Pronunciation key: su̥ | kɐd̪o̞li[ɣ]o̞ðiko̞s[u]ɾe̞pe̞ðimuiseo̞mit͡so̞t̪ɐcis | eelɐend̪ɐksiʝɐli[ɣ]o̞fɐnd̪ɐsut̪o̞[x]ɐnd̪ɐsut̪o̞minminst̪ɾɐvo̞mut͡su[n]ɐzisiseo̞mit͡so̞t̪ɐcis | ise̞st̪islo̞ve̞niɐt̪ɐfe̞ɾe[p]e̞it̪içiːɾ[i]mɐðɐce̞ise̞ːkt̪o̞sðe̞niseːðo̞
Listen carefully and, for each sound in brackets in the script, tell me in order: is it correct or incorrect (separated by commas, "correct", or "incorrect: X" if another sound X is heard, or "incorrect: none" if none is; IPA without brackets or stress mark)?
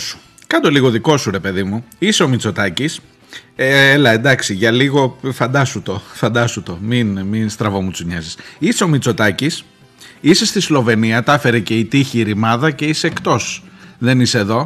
correct, correct, correct, incorrect: f, incorrect: ɲ, incorrect: c, correct